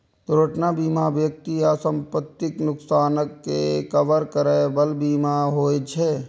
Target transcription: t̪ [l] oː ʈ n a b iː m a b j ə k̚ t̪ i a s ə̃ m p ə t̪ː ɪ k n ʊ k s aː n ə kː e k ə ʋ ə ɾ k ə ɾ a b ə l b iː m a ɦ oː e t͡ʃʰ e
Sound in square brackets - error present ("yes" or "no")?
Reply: yes